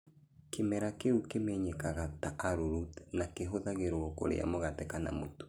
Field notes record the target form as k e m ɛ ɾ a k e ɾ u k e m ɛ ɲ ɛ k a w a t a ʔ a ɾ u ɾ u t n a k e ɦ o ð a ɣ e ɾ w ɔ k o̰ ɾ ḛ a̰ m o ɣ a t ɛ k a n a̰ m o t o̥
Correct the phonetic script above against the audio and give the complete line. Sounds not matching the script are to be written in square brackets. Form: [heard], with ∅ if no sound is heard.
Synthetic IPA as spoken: k e m ɛ ɾ a k e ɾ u k e m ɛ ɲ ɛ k a [ɣ] a t a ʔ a ɾ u ɾ u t n a k e ɦ o ð a ɣ e ɾ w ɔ k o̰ ɾ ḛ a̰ m o ɣ a t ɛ k a n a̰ m o t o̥